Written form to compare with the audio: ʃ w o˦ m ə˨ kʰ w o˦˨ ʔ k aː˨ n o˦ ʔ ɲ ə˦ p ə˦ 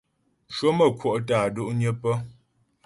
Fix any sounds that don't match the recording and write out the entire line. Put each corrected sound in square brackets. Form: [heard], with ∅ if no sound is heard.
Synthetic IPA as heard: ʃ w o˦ m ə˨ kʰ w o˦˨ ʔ [t] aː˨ [d] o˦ ʔ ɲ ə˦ p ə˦